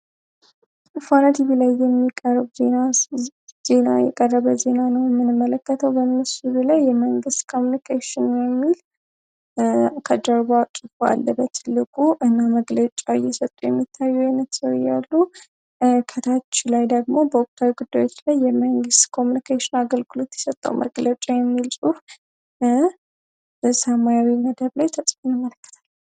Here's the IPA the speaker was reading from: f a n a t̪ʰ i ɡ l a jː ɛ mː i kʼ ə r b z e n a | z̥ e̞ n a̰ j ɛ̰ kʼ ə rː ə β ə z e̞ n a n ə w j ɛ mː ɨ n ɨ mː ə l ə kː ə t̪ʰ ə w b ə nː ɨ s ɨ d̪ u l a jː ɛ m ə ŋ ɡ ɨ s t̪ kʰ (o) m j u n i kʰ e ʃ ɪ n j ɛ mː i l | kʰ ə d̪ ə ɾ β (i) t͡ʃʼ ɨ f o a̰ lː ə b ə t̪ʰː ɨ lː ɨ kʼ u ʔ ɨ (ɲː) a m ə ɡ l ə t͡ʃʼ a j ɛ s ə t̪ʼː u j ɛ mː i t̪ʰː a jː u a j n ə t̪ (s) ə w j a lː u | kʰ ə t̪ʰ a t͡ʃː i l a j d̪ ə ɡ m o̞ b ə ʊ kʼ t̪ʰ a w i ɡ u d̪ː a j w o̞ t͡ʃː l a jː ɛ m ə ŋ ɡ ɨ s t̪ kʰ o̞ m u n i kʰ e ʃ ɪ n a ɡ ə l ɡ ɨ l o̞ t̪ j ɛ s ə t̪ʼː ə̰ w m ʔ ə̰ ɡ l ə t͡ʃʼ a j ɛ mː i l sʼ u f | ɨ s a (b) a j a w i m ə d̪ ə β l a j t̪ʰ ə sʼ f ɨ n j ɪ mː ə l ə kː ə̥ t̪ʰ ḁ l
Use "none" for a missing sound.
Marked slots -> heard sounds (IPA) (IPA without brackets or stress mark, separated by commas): o, a, nː, s, m